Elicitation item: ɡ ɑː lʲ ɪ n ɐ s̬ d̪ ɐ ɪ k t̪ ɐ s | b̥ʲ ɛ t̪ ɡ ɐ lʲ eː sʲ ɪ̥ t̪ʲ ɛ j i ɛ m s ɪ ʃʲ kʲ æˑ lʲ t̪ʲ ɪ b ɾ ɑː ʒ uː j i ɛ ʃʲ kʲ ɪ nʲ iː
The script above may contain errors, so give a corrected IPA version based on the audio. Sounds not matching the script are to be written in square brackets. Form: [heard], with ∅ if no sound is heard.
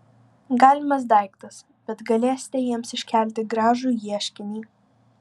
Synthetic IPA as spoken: ɡ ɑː lʲ ɪ [m] ɐ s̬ d̪ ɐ ɪ k t̪ ɐ s | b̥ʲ ɛ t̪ ɡ ɐ lʲ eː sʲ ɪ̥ t̪ʲ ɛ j i ɛ m s ɪ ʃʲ kʲ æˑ lʲ t̪ʲ ɪ [ɡ] ɾ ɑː ʒ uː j i ɛ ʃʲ kʲ ɪ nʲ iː